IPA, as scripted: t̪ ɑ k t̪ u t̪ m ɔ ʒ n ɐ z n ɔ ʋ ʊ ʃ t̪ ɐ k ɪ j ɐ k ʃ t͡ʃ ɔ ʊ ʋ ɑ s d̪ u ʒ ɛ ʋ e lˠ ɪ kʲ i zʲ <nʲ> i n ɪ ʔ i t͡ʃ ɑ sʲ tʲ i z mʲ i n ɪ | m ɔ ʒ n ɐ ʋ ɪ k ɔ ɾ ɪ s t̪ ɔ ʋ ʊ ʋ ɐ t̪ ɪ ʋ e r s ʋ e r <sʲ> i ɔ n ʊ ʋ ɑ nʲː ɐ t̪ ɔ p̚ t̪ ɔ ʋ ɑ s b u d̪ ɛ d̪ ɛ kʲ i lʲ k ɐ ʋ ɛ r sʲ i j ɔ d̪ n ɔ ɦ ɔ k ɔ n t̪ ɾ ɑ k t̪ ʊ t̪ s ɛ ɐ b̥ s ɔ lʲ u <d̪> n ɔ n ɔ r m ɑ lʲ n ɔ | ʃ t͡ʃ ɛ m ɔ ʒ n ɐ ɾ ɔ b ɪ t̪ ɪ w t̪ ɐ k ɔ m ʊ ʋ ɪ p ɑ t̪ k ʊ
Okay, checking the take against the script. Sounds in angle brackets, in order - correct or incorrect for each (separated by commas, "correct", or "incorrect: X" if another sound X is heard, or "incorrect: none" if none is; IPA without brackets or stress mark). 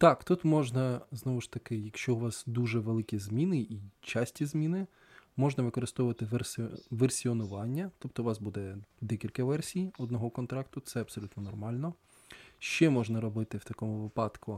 incorrect: mʲ, correct, incorrect: t̪